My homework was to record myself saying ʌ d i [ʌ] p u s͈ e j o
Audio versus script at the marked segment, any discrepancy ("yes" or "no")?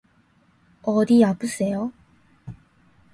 yes